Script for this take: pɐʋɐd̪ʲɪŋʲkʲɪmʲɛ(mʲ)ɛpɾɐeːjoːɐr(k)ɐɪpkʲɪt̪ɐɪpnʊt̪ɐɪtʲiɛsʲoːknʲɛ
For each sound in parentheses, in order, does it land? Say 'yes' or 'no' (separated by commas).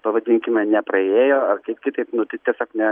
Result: no, yes